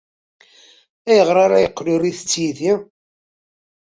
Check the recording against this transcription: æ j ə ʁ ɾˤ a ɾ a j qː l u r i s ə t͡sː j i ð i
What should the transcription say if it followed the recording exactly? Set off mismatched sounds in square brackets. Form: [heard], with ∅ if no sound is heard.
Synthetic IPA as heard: æ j ə ʁ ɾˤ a ɾ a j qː l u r i [θ] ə t͡sː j i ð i